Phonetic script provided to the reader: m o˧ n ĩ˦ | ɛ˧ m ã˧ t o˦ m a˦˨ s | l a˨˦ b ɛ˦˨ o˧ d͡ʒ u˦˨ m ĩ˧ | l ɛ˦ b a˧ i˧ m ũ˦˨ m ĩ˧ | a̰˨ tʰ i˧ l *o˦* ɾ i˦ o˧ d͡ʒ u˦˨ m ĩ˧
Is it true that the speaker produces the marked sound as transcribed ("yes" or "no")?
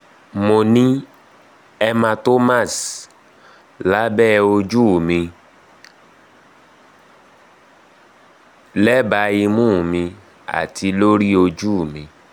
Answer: yes